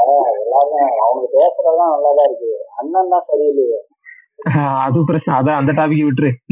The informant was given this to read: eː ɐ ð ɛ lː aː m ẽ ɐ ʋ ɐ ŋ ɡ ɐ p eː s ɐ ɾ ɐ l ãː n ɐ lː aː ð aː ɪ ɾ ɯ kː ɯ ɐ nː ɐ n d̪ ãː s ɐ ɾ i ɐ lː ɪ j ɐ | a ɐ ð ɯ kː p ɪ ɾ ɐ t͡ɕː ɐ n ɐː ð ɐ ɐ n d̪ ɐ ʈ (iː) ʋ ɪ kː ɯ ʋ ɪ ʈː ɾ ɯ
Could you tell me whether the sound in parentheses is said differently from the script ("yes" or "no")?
yes